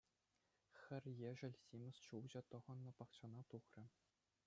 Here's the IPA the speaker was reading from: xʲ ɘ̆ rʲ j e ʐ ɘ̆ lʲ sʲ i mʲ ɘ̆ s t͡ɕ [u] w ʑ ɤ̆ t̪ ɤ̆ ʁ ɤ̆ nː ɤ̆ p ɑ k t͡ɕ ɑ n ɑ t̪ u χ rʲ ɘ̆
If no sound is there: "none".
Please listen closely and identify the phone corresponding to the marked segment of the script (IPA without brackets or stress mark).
u